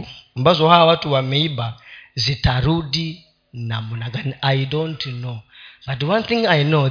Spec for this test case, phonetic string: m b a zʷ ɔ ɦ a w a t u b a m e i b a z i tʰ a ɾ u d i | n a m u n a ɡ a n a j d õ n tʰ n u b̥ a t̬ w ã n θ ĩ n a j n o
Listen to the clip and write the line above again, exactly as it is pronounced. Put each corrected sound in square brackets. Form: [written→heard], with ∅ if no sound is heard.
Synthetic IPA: m b a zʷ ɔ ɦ a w a t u [b→w] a m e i b a z i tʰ a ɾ u d i | n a m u n a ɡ a n a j d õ n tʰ n [u→o] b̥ a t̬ w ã n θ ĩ [n→ŋ] a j n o